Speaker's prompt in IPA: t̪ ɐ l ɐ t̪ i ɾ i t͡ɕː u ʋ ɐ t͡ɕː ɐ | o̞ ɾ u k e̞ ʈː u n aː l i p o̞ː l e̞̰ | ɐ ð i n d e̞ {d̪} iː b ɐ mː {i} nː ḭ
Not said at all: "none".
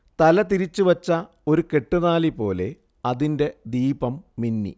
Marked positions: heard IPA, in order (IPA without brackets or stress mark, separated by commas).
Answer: d̪, i